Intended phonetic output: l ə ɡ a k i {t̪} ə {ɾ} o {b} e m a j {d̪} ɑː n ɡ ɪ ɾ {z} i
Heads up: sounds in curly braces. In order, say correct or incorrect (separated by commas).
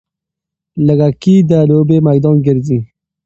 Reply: incorrect, incorrect, correct, correct, correct